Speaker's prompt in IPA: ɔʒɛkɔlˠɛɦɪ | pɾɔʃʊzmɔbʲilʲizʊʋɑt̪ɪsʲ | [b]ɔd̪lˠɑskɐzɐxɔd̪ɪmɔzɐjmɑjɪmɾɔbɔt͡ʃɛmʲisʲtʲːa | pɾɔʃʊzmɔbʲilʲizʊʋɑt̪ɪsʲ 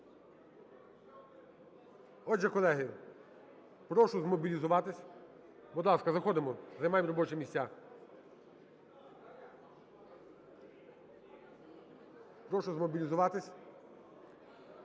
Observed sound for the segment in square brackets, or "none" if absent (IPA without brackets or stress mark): b